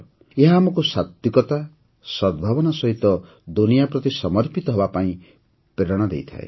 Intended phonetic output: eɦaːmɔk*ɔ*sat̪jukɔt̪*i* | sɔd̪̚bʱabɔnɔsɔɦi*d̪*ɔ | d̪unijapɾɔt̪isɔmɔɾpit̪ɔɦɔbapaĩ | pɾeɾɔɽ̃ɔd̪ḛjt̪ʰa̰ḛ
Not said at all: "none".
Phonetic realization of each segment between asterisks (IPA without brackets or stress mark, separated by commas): u, a, t̪